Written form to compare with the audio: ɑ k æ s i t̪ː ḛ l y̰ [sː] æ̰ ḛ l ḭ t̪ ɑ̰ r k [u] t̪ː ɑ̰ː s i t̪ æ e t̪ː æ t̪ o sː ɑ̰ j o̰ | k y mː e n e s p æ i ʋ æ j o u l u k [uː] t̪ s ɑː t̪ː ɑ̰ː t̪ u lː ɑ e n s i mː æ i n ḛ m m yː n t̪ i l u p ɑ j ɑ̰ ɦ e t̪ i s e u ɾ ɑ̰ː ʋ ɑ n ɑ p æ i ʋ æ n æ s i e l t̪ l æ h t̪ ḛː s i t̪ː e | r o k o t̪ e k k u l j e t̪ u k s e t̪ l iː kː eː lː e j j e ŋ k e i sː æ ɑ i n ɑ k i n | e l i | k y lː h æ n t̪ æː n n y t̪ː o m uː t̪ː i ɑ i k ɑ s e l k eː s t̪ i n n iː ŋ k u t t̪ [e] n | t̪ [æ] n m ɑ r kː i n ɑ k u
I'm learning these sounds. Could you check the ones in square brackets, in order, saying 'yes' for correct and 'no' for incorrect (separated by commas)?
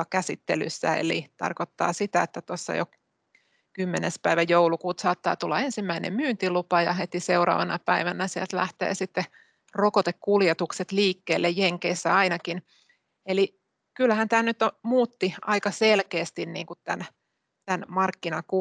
yes, no, yes, no, yes